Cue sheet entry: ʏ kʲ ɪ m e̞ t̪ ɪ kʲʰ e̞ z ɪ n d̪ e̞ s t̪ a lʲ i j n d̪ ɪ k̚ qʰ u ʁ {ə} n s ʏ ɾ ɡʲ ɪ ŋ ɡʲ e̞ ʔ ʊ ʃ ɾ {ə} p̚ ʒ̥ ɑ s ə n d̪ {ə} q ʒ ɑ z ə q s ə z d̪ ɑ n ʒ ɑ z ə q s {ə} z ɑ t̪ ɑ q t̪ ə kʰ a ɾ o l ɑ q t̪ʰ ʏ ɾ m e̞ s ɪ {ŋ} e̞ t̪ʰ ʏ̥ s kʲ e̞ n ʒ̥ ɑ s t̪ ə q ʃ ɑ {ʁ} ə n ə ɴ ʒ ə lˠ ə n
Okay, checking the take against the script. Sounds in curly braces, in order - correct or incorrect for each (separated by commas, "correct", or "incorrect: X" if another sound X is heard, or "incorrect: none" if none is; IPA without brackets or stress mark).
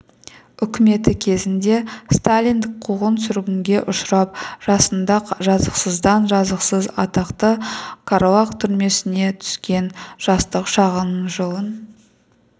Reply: correct, incorrect: ɑ, incorrect: ɑ, correct, incorrect: n, correct